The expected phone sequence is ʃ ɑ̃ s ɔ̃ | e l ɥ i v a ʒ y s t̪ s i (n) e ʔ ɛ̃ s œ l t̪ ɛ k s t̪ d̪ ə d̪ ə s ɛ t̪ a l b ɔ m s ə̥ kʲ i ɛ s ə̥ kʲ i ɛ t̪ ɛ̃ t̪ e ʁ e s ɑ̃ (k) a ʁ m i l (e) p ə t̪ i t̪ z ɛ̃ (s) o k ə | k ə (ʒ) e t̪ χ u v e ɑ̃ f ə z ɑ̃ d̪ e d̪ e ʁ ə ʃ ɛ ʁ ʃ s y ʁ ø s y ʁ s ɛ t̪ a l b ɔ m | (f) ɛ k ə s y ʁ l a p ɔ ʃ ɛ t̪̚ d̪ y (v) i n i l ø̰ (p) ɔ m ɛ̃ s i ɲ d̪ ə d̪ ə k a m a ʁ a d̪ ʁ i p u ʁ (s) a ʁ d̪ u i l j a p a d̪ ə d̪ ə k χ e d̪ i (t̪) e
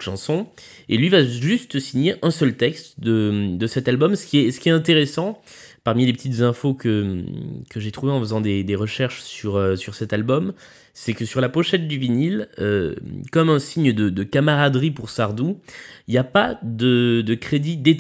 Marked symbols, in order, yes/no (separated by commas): no, no, yes, no, yes, no, yes, no, yes, no